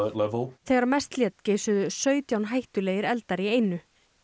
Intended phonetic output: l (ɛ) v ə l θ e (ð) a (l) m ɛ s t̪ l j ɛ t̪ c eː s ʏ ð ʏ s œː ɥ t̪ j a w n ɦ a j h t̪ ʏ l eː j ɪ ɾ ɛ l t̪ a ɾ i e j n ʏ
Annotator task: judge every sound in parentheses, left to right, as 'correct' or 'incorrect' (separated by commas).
correct, incorrect, incorrect